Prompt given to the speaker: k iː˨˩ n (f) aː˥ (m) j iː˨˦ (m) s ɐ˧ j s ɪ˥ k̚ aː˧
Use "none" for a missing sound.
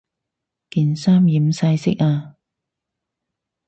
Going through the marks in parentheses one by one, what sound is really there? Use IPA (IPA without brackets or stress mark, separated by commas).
s, m, m